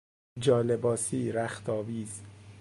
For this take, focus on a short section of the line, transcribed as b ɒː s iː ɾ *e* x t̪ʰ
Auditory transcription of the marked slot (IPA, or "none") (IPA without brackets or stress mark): æ